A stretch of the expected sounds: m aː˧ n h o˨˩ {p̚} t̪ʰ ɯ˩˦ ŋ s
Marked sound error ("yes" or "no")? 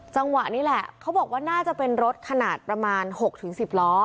yes